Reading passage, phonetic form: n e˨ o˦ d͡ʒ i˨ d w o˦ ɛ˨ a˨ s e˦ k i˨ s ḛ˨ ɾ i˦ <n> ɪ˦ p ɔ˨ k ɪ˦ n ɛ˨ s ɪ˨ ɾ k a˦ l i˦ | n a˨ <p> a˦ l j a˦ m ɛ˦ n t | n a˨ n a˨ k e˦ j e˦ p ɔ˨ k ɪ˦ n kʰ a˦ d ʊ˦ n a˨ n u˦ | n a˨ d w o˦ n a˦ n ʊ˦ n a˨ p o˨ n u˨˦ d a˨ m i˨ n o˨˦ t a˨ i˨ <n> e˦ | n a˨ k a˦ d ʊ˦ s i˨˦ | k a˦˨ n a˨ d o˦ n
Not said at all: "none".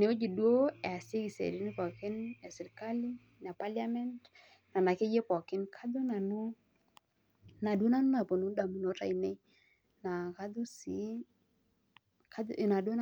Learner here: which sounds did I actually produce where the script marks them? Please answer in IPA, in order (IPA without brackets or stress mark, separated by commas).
n, p, n